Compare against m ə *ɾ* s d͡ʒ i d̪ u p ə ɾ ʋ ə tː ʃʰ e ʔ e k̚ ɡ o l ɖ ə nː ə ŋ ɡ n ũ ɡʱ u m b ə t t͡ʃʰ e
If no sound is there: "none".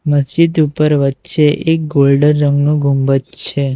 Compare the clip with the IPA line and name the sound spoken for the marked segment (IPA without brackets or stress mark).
none